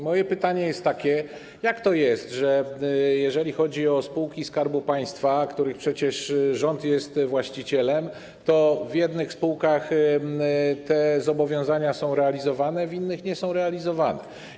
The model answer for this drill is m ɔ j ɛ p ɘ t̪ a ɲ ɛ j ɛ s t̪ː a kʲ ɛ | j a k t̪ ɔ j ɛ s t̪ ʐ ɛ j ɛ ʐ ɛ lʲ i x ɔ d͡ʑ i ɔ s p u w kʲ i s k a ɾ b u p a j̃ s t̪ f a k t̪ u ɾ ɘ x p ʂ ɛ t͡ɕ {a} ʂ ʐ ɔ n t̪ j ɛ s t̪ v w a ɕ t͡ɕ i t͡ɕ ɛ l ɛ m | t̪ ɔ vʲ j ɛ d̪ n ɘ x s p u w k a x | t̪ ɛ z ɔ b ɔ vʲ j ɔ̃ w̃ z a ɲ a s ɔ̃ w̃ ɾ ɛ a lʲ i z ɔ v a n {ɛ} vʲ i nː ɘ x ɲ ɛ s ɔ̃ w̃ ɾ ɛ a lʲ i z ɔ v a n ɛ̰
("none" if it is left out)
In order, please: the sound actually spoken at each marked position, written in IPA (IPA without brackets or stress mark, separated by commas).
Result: ɛ, ɛ